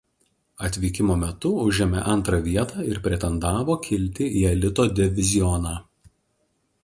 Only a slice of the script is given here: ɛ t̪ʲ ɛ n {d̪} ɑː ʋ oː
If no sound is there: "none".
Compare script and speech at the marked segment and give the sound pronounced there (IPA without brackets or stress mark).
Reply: d̪